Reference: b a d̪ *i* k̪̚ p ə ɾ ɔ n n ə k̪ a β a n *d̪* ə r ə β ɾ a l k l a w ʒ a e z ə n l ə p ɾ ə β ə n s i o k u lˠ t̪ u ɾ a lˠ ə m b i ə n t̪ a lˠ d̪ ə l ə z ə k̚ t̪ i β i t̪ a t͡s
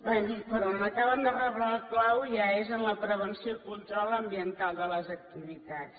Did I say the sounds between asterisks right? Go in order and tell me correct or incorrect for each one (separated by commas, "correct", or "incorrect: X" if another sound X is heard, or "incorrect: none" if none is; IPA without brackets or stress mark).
correct, correct